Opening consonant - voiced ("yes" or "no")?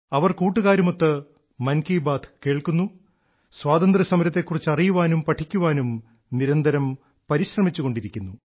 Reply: yes